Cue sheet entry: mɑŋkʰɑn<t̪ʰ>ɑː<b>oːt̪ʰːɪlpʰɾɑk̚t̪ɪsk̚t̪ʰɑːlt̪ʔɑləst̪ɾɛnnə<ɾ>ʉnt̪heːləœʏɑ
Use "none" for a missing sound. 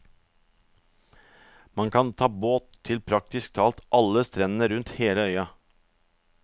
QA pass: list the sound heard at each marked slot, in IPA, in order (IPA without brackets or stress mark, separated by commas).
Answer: t̪ʰ, b, ɾ